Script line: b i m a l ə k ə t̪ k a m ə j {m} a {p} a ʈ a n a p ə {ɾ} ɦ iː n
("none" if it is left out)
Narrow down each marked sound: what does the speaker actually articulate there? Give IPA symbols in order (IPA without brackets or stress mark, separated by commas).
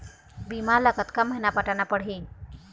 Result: n, p, ɽ